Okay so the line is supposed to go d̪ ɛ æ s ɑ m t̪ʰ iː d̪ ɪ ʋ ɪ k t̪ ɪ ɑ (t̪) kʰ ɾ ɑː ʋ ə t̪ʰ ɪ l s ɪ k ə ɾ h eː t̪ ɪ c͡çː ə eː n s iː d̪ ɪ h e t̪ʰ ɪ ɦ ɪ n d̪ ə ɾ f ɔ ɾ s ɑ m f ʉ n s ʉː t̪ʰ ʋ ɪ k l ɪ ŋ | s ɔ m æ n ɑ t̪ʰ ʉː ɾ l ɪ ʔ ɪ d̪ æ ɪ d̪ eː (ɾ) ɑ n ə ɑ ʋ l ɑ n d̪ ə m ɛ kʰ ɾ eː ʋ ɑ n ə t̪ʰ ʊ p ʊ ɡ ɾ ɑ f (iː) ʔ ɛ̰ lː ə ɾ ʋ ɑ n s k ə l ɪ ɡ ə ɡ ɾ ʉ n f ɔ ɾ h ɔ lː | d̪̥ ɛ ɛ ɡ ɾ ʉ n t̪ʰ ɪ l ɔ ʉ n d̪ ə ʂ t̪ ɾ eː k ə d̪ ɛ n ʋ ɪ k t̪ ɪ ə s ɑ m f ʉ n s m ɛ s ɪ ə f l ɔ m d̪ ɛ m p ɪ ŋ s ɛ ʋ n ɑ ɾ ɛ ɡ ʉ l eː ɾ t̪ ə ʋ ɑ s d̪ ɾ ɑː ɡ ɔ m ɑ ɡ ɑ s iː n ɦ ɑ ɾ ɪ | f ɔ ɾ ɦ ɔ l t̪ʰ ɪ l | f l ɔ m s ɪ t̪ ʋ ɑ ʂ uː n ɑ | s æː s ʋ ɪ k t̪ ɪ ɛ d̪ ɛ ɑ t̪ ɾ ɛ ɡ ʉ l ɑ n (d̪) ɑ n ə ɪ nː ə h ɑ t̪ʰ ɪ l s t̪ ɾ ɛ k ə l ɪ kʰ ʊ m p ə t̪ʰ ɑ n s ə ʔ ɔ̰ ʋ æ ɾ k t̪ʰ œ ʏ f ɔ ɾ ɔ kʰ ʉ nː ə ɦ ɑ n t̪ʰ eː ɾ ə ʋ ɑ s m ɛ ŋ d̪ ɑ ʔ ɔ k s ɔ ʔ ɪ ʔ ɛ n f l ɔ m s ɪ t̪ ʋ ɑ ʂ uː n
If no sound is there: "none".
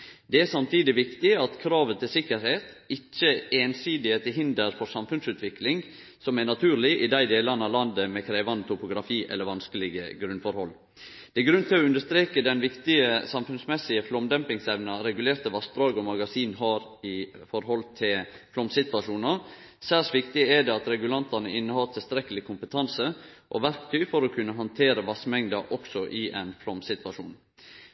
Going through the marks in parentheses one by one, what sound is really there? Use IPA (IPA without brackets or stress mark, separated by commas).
t̪, l, iː, t̪